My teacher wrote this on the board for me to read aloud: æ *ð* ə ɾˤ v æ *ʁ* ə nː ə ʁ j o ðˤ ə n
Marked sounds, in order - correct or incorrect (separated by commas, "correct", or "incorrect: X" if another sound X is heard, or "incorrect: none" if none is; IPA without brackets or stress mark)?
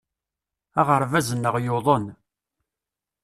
incorrect: ʁ, incorrect: z